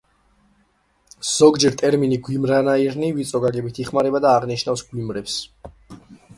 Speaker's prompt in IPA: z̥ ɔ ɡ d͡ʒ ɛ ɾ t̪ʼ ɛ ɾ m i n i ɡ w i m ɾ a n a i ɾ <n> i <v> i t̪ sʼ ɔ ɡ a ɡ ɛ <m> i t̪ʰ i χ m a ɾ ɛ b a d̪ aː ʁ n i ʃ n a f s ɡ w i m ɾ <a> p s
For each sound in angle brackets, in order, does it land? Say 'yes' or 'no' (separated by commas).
yes, yes, no, no